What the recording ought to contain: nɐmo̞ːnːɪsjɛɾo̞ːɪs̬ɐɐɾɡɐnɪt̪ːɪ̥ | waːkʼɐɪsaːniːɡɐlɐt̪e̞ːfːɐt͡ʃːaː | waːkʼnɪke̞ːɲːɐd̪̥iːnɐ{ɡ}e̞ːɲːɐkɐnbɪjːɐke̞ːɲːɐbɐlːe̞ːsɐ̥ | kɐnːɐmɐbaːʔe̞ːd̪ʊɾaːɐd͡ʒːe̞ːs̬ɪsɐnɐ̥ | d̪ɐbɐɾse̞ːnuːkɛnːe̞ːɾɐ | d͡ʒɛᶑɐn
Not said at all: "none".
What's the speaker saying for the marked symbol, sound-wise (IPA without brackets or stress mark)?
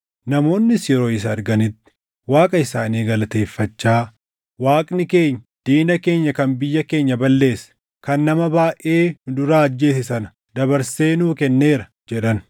k